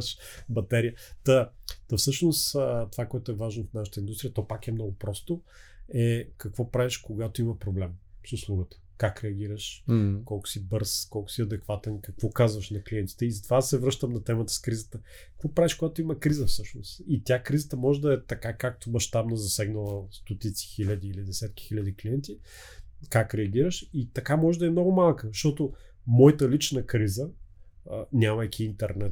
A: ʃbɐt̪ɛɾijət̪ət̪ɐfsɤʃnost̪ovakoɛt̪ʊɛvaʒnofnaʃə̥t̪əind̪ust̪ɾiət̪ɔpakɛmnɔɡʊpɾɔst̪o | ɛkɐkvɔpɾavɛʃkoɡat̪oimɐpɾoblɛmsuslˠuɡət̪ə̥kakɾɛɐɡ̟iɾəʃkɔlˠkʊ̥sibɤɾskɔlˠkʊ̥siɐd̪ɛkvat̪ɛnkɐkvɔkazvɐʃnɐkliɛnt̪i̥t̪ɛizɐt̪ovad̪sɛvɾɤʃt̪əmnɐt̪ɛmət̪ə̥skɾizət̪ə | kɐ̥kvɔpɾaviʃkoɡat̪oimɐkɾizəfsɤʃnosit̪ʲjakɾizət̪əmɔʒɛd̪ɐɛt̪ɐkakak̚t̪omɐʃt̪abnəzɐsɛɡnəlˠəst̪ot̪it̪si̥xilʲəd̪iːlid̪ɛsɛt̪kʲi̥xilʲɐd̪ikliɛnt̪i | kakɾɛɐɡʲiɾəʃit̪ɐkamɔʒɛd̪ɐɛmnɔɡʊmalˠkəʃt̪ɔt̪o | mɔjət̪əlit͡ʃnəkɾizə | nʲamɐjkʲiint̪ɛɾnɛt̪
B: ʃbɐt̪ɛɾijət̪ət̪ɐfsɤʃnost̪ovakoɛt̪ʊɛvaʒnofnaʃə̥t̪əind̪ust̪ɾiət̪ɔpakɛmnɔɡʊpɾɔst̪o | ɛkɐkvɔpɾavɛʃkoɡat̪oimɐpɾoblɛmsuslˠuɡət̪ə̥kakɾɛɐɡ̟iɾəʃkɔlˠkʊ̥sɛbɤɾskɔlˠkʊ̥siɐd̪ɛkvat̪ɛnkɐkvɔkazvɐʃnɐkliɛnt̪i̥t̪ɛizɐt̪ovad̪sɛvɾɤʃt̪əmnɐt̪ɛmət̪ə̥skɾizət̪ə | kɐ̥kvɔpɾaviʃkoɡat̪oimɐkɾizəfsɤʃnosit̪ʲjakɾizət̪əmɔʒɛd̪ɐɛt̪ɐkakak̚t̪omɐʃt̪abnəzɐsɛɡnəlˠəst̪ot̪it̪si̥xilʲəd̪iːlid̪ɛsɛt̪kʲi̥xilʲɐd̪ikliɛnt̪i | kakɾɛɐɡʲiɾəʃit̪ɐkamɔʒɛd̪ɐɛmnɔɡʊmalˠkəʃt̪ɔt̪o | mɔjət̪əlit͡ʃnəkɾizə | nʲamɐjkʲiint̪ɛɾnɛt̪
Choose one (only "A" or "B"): A